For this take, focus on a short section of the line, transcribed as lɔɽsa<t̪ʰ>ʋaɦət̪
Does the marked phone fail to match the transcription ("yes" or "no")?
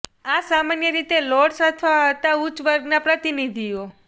no